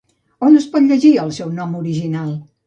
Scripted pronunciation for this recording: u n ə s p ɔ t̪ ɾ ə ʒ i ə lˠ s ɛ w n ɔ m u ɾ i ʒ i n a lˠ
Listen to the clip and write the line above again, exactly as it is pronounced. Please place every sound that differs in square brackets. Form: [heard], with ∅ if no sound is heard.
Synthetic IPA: [o] n ə s p ɔ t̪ [ʎ] ə ʒ i ə lˠ s ɛ w n ɔ m u ɾ i ʒ i n a lˠ